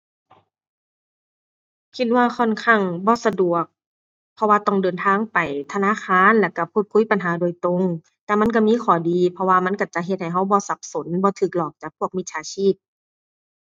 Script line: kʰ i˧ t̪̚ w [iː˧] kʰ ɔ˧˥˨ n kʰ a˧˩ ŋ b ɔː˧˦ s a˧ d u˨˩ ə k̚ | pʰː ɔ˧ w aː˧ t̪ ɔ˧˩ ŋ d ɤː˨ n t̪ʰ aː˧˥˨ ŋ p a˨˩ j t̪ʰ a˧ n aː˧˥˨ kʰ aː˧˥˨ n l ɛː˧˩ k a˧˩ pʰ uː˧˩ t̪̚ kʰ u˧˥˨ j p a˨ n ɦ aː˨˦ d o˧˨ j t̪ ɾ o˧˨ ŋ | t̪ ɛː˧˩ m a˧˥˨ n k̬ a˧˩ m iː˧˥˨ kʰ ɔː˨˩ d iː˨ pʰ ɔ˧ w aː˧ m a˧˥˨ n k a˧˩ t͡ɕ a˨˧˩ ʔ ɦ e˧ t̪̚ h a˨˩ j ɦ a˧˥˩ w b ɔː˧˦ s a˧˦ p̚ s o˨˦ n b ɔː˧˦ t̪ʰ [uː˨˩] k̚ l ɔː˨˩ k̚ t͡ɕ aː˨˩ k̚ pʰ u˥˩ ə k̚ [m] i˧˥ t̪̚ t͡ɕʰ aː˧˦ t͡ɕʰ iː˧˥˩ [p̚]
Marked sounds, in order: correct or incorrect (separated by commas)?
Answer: incorrect, incorrect, correct, correct